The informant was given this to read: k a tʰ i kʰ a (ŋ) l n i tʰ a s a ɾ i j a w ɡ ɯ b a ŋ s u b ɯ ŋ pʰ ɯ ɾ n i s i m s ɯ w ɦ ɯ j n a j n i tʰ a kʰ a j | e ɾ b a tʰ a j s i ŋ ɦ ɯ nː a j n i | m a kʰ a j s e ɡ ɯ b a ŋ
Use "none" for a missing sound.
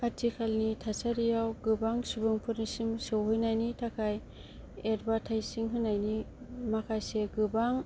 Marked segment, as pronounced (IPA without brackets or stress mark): none